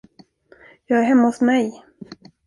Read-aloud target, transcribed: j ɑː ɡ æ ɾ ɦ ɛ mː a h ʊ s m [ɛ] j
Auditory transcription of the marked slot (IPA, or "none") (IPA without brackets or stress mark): ɛ